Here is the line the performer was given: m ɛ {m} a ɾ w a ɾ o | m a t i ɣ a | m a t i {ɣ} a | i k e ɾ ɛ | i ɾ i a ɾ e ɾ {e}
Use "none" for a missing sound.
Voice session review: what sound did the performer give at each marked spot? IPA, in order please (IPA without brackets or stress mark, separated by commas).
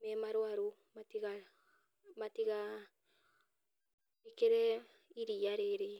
m, ɣ, e